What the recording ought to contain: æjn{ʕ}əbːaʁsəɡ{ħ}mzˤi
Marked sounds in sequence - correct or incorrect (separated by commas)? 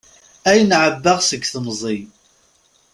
correct, incorrect